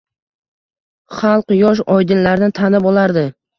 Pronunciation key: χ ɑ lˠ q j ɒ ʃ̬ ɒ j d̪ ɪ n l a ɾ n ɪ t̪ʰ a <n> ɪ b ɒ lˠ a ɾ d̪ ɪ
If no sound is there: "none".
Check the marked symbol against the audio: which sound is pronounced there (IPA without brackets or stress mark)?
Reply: n